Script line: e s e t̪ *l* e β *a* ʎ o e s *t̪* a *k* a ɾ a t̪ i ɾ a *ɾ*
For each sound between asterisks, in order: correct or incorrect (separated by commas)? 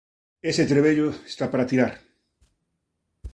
incorrect, incorrect, correct, incorrect, correct